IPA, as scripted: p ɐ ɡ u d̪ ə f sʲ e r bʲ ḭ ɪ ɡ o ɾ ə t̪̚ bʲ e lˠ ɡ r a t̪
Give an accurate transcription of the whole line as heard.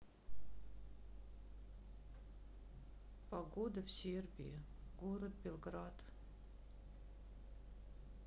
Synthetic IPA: p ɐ ɡ o d̪ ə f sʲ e r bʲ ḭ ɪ ɡ o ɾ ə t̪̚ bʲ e lˠ ɡ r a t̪